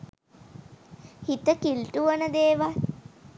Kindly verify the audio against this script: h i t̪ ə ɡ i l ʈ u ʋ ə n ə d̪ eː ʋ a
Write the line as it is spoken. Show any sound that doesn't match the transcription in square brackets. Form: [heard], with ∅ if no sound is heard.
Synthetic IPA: h i t̪ ə [k] i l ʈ u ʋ ə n ə d̪ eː ʋ a